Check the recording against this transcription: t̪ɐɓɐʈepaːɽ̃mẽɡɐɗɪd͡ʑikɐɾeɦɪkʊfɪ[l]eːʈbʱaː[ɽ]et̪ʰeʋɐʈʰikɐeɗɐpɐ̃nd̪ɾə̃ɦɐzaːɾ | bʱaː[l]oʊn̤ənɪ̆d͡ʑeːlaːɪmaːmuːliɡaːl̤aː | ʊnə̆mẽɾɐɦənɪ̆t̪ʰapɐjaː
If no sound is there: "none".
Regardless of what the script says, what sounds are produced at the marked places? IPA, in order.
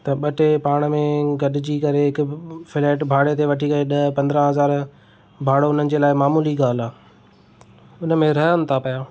l, ɽ, ɽ

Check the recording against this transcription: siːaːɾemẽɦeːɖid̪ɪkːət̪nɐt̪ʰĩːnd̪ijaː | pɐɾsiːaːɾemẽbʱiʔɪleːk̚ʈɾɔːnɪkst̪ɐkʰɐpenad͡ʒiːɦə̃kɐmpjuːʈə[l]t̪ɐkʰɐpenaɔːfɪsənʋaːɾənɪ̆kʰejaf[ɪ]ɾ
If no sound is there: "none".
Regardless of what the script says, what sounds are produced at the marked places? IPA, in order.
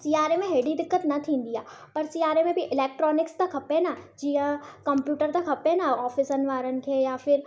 ɾ, ɪ

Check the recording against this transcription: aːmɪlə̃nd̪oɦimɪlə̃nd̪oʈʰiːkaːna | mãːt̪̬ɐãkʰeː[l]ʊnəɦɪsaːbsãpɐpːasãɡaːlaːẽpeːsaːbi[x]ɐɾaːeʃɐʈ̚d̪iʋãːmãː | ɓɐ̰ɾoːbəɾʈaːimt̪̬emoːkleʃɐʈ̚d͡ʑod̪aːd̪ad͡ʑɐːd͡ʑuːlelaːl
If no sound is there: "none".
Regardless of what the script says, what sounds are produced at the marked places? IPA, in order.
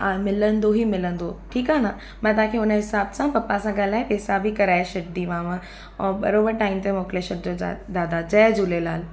none, k

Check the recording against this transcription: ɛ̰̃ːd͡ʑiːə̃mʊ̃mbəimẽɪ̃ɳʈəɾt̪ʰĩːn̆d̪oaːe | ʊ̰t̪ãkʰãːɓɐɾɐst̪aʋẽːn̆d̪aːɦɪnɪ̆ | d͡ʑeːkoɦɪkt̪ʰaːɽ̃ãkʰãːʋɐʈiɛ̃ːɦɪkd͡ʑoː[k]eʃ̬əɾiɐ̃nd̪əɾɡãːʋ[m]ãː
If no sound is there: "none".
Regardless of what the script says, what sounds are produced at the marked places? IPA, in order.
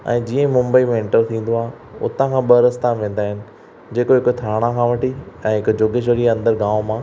ɡ, m

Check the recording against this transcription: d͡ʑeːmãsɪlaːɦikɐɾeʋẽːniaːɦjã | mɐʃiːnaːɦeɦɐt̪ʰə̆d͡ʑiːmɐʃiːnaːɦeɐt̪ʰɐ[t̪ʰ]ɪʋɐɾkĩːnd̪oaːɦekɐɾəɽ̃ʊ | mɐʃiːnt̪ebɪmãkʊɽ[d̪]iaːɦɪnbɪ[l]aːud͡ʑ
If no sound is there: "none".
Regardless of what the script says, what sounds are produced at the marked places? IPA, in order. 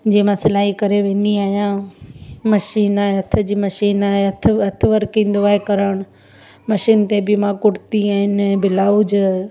t̪ʰ, t̪, l

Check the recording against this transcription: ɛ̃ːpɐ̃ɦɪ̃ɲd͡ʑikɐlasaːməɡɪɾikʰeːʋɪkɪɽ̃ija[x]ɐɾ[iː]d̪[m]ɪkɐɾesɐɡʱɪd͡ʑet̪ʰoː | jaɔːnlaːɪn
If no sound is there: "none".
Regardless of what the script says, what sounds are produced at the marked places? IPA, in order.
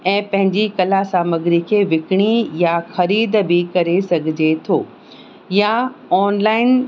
x, iː, b

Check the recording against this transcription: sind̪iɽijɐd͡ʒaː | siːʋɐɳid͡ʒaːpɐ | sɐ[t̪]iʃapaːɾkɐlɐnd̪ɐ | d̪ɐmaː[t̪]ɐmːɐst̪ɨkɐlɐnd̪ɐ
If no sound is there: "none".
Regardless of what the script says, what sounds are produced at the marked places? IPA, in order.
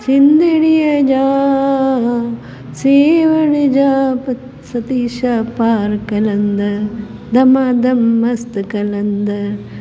t̪, d̪

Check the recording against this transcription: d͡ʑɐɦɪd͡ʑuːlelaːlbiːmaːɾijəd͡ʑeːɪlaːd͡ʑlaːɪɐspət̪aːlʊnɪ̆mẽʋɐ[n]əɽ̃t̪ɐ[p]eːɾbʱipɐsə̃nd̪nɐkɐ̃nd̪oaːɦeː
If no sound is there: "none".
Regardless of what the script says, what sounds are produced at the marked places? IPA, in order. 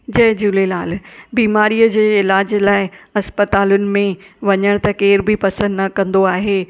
ɲ, k

